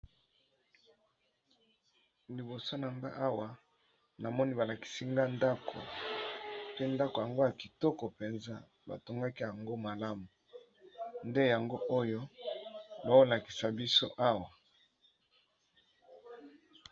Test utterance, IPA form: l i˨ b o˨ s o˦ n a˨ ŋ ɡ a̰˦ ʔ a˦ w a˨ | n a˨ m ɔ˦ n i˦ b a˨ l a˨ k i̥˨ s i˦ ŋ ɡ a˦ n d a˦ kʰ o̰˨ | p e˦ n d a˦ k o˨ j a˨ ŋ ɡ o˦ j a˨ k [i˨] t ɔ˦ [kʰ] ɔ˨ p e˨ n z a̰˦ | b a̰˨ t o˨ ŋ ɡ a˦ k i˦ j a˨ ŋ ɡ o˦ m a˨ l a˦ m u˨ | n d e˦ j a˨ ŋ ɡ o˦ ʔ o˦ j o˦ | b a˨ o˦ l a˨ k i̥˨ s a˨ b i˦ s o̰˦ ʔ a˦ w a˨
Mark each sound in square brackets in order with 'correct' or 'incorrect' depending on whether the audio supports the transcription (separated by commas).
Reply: correct, incorrect